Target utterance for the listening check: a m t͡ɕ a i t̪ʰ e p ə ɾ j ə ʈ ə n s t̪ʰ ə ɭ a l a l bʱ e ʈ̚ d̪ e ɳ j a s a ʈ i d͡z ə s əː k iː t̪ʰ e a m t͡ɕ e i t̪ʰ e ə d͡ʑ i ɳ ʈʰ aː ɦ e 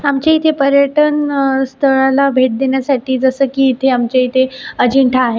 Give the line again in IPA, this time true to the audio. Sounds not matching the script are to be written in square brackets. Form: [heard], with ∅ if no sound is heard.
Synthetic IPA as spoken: a m t͡ɕ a i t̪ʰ e p ə ɾ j ə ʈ ə n s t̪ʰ ə ɭ a l a [∅] bʱ e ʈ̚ d̪ e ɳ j a s a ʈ [iː] d͡z ə s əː k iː t̪ʰ e a m t͡ɕ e i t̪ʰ e ə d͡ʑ i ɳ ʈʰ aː ɦ e

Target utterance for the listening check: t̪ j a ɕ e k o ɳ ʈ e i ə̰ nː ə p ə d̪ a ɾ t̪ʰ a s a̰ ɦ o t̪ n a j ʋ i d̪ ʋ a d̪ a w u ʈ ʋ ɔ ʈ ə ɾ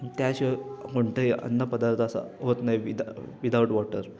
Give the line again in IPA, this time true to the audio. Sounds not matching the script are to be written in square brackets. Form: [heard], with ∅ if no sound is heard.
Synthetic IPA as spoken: t̪ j a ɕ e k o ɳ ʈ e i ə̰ nː ə p ə d̪ a ɾ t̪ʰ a s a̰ ɦ o t̪ n a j ʋ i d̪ ʋ [i] d̪ a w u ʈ ʋ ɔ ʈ ə ɾ

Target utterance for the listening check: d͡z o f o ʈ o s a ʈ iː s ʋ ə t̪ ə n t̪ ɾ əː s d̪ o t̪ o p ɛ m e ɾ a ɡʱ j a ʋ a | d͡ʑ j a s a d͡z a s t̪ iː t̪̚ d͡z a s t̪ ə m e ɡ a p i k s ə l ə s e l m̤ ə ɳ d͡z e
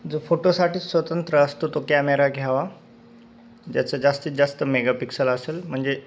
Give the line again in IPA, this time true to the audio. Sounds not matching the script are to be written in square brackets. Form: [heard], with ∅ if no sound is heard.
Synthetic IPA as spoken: d͡z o f o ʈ o s a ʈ iː s ʋ ə t̪ ə n t̪ ɾ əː s [t̪] o t̪ o [k] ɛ m e ɾ a ɡʱ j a ʋ a | d͡ʑ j a [t͡s] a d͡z a s t̪ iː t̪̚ d͡z a s t̪ ə m e ɡ a p i k s ə l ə s e l m̤ ə ɳ d͡z e

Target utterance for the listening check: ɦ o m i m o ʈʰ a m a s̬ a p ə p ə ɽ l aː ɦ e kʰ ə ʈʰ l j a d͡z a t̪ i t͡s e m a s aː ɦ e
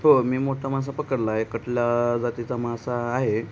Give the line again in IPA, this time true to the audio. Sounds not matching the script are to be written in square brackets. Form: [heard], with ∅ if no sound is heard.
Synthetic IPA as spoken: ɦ o m [iː] m o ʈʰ a m a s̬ a p ə [k] ə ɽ l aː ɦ e [k] ə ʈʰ l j a d͡z a t̪ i t͡s [a] m a s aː ɦ e

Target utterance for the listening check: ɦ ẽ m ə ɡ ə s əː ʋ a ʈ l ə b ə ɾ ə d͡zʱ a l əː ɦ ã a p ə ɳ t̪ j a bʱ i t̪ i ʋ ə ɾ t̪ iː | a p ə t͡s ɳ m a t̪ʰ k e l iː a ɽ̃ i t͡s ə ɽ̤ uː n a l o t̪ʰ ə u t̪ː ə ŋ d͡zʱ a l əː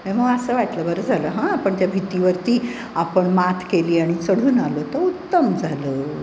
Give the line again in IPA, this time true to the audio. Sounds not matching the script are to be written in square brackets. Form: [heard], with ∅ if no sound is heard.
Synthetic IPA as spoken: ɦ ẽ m ə ɡ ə s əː ʋ a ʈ l ə b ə ɾ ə d͡zʱ a l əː ɦ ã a p ə ɳ t̪ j a bʱ i t̪ i ʋ ə ɾ t̪ iː | a p ə [∅] ɳ m a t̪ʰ k e l iː a ɽ̃ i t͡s ə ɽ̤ uː n a l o [t̪] ə u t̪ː ə [m] d͡zʱ a l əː

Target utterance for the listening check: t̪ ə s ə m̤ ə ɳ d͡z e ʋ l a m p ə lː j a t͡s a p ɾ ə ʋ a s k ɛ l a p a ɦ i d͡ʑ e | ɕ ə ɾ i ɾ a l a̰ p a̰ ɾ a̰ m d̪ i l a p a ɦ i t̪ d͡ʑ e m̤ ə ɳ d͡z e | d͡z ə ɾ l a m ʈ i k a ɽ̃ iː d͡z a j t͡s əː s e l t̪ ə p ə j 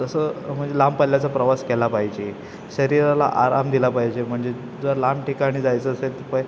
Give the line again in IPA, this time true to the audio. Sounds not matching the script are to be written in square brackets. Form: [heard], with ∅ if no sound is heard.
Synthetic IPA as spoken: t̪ ə s ə m̤ ə ɳ d͡z e [∅] l a m p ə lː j a t͡s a p ɾ ə ʋ a s k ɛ l a p a ɦ i d͡ʑ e | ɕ ə ɾ i ɾ a l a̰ [ʔ] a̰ ɾ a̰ m d̪ i l a p a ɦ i [∅] d͡ʑ e m̤ ə ɳ d͡z e | d͡z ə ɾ l a m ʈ i k a ɽ̃ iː d͡z a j t͡s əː s e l t̪ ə p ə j

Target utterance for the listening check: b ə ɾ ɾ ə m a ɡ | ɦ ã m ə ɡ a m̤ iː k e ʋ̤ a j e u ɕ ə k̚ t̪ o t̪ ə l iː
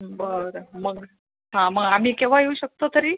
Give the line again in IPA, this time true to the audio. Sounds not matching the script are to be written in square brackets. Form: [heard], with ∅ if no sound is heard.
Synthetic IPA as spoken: b ə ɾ ɾ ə m [ə] ɡ | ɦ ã m ə ɡ a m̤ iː k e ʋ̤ a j e u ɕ ə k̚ t̪ o t̪ ə [ɾ] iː

